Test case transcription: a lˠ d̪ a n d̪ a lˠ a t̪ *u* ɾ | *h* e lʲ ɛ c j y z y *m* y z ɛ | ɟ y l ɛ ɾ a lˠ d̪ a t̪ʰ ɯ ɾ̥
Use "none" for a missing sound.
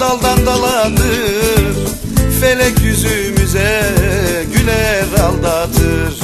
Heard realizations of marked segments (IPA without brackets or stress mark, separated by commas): ɯ, f, m